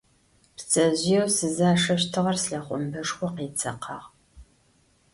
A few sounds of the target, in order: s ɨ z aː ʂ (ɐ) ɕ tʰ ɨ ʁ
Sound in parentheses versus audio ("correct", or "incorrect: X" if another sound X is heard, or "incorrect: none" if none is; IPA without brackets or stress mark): correct